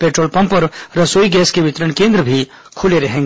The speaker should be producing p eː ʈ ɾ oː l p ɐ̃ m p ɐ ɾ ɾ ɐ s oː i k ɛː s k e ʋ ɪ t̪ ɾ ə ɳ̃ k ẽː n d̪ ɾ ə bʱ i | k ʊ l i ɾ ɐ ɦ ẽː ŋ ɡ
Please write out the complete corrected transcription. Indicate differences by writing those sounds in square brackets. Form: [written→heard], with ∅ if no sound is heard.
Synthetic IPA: p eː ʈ ɾ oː l p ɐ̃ m p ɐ ɾ ɾ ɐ s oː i [k→ɡ] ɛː s k e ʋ ɪ t̪ ɾ ə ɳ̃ k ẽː n d̪ ɾ ə bʱ i | [k→kʰ] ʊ l [i→e] ɾ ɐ ɦ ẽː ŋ ɡ